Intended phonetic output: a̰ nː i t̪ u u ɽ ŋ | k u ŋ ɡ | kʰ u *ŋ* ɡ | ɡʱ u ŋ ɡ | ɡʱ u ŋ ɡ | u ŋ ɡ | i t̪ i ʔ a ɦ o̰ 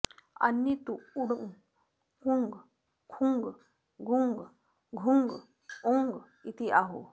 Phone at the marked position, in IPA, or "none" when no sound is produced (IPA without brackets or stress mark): ŋ